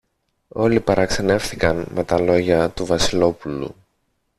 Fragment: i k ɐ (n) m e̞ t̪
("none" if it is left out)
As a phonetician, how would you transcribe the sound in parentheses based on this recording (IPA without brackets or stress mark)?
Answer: n